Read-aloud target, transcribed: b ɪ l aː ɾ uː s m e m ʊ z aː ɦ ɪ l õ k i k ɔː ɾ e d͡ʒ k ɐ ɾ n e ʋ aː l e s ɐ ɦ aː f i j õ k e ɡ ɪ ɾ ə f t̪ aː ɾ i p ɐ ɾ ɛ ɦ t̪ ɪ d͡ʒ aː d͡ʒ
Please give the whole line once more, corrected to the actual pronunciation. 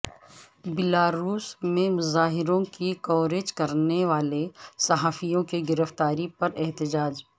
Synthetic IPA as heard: b ɪ l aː ɾ uː s m ẽ m ʊ z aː ɦ ɪ ɾ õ k i k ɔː ɾ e d͡ʒ k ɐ ɾ n e ʋ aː l e s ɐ ɦ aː f i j õ k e ɡ ɪ ɾ ə f t̪ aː ɾ i p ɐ ɾ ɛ ɦ t̪ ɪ d͡ʒ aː d͡ʒ